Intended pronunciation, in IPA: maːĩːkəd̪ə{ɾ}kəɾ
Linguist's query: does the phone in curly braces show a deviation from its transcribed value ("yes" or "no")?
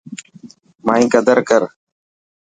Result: no